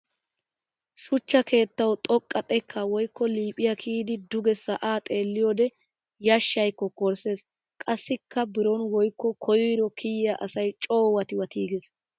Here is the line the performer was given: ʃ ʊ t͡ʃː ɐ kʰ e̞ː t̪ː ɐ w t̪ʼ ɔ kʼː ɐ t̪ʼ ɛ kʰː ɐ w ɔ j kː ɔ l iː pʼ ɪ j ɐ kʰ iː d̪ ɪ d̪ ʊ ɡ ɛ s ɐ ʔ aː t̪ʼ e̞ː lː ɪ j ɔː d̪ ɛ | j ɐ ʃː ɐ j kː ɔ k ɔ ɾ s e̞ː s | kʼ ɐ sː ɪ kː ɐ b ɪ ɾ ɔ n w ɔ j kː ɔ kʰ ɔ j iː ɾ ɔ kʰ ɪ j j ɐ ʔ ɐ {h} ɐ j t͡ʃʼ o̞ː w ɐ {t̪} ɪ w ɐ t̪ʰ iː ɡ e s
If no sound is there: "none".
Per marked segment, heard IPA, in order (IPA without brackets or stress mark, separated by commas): s, t̪